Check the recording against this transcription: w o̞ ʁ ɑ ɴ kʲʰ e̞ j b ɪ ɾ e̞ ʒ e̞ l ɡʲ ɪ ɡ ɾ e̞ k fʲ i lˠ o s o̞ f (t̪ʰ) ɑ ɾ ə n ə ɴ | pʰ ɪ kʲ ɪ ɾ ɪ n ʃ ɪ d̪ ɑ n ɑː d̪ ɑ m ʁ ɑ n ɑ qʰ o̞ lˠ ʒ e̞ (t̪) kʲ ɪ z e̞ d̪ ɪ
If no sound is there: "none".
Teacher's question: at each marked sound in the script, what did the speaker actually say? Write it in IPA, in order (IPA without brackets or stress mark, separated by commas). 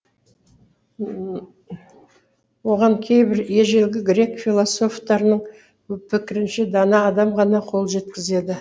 t̪, t̪